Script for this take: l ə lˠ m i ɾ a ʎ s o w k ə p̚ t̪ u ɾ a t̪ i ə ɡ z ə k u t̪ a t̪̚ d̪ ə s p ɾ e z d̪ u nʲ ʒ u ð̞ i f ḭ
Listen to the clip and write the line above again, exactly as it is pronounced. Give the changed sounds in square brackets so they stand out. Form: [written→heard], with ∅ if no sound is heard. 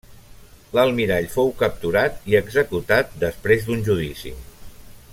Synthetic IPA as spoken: l ə lˠ m i ɾ a ʎ [s→f] o w k ə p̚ t̪ u ɾ a t̪ i ə ɡ z ə k u t̪ a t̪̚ d̪ ə s p ɾ e z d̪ u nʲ ʒ u ð̞ i [f→s] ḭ